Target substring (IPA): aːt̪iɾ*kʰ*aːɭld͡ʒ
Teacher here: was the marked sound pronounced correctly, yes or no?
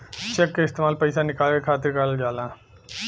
no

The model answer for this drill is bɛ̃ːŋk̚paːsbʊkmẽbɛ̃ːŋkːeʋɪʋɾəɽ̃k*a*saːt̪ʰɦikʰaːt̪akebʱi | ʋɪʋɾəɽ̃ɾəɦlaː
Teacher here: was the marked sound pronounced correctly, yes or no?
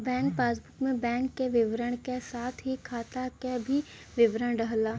no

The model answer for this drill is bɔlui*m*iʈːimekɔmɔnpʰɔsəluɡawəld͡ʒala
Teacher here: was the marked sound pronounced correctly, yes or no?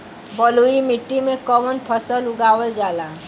yes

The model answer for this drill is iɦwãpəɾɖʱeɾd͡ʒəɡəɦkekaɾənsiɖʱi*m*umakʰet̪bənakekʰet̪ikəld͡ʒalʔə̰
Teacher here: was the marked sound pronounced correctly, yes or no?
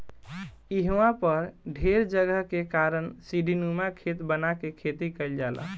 no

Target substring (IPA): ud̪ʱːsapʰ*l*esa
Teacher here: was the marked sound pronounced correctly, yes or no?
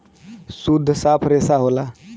no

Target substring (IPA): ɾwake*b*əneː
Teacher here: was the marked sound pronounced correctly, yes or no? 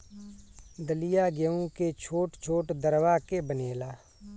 yes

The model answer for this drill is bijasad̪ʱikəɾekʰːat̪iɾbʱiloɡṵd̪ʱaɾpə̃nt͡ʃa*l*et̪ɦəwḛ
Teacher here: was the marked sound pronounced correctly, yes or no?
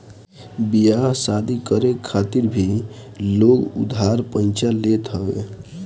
yes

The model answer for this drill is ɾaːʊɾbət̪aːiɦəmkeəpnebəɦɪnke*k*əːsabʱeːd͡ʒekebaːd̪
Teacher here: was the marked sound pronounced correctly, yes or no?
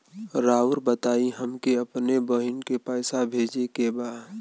no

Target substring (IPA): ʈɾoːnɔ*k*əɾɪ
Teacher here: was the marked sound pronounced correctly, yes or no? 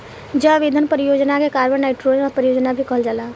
no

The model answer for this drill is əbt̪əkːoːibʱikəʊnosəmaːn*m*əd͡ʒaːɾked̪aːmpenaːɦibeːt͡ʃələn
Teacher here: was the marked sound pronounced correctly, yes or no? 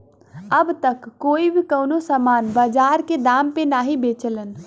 no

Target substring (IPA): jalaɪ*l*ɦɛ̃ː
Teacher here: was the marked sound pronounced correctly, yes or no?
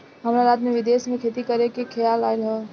yes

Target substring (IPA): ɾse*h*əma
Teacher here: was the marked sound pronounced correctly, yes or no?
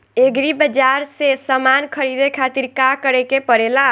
no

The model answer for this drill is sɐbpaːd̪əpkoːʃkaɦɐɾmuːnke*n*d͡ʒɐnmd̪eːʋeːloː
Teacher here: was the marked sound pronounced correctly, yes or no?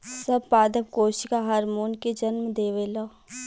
no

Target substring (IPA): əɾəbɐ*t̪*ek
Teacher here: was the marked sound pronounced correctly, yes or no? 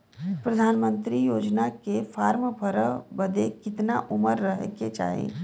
no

